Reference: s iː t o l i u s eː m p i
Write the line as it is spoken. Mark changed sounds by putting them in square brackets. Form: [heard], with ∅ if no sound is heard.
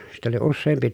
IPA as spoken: s [i] t o l i u [sː] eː m p i

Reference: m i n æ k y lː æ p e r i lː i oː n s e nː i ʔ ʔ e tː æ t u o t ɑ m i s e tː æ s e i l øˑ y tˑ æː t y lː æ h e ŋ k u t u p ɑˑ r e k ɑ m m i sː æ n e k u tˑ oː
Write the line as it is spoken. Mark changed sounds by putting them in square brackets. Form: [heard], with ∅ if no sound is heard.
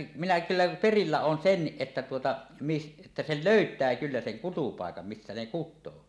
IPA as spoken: m i n æ k y lː æ p e r i lː [æ] oː n s e nː i ʔ ʔ e tː æ t u o t ɑ m i s e tː æ s e i l øˑ y tˑ æː [k] y lː æ [s] e ŋ k u t u p ɑˑ [∅] e k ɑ m m i sː æ n e k u tˑ oː

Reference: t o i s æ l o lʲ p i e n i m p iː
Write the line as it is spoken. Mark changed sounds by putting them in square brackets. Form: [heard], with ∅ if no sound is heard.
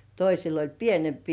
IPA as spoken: t o i s [i] l o lʲ p i e n [e] m p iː

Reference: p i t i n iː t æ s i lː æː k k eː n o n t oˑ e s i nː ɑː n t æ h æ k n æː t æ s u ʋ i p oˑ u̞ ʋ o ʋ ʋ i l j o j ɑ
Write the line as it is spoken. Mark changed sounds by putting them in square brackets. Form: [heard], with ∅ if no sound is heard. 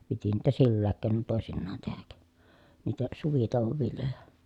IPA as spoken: p i t i n iː t æ s i lː æː k k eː n o n t oˑ e s i nː ɑː n t [e] h æ k n [iː] t æ s u ʋ i [t] oˑ u̞ ʋ o ʋ ʋ i l j o j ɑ

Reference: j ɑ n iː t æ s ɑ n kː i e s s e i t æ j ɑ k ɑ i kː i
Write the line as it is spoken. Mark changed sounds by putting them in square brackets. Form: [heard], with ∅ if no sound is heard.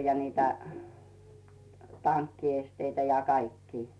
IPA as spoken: j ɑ n iː t æ [t] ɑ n kː i e s [t] e i t æ j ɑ k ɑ i kː [iː]

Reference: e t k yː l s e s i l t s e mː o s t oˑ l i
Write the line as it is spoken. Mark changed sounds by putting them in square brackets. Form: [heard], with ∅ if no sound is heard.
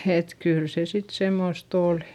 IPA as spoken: e t k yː l s e s i [∅] t s e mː o s t oˑ l i

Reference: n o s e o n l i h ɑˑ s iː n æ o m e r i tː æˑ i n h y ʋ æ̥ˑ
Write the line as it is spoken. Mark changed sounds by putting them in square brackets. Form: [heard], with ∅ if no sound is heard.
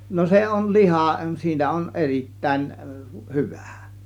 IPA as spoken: n o s e o n l i h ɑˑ s iː n æ o [n] e r i tː æˑ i n h y ʋ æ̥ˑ

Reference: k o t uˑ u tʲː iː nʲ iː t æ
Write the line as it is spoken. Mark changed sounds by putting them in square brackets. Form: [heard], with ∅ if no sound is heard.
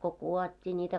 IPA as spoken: k o [k] uˑ [o] tʲː iː nʲ iː t æ

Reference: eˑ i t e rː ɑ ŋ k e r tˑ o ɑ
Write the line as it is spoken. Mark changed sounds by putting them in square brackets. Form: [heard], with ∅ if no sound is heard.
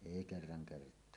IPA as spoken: eˑ i [k] e rː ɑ ŋ k e r tˑ o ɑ

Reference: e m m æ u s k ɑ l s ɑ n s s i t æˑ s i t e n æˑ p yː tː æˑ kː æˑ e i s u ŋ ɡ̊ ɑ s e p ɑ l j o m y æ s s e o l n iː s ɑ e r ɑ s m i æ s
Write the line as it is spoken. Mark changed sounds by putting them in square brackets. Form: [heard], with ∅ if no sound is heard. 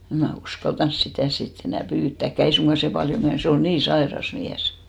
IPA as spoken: e m m æ u s k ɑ l [t] ɑ n s s i t æˑ s i t e n æˑ p yː tː æˑ kː æˑ e i s u ŋ ɡ̊ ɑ s e p ɑ l j o m y æ s s e o l n iː s ɑ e r ɑ s m i æ s

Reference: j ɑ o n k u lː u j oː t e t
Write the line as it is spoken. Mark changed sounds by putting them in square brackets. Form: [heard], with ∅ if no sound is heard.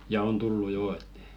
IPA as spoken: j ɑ o n [t] u lː u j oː [∅] e t

